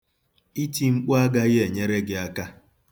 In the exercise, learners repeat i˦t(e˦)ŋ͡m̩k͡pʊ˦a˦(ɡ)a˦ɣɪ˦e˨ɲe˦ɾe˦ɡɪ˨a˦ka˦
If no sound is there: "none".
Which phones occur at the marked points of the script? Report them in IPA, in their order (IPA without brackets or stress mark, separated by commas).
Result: i˦, ɡ